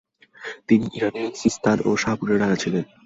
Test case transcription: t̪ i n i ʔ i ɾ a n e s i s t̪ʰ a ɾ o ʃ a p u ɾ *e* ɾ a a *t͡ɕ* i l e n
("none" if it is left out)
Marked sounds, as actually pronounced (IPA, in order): e, t͡ɕʰ

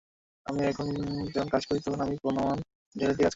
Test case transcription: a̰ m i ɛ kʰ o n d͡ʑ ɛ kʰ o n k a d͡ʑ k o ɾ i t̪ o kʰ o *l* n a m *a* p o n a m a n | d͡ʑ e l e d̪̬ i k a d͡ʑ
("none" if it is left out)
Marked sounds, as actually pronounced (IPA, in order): none, i

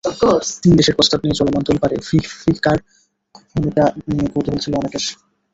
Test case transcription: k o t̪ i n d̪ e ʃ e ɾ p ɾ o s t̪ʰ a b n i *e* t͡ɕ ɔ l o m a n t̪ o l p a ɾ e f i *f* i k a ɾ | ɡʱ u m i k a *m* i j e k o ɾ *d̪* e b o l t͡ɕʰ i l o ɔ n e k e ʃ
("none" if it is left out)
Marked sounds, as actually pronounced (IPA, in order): e, f, n, t̪

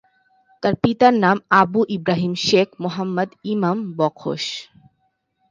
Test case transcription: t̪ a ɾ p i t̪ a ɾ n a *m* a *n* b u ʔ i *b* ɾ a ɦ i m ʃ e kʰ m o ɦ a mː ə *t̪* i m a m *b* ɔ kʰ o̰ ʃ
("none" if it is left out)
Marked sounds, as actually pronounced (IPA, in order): m, none, b, d̪, b

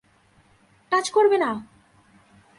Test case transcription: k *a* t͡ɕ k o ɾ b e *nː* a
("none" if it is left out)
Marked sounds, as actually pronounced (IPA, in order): a, n

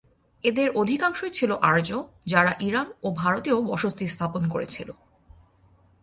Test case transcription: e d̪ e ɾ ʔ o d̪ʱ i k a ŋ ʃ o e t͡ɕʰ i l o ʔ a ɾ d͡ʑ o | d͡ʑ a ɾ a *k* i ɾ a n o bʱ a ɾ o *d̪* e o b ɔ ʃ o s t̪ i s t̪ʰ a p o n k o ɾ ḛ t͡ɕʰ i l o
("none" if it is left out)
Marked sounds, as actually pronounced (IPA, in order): ʔ, t̪

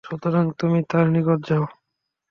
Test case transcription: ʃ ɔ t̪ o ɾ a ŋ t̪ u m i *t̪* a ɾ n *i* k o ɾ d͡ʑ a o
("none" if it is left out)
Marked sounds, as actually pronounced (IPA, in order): t̪, i

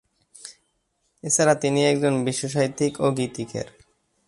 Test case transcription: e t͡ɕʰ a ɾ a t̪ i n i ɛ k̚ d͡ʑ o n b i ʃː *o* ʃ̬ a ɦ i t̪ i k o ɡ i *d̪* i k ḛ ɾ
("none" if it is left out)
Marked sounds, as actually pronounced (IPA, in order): o, t̪

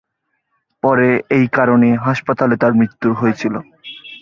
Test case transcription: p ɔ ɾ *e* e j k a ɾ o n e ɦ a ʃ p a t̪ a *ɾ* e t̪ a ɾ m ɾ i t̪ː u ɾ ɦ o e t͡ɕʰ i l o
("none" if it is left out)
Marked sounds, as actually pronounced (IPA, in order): e, l

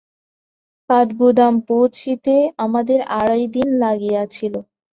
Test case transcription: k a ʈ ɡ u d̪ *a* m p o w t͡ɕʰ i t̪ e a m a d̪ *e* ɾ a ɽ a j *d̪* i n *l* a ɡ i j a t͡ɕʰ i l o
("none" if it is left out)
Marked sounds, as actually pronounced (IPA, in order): a, e, d̪, l

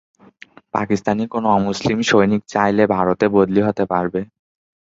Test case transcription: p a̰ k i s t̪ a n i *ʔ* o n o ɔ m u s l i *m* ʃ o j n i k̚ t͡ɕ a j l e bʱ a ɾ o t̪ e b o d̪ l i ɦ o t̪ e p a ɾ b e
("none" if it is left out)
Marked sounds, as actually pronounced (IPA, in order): k, m

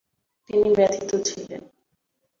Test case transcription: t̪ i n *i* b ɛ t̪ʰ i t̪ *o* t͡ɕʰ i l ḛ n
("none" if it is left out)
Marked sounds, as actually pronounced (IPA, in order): i, o

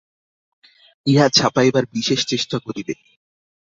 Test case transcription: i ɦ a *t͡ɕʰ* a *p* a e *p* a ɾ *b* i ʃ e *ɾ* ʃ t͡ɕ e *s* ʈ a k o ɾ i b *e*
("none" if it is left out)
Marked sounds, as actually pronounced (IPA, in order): t͡ɕʰ, p, b, b, none, ʃ, e

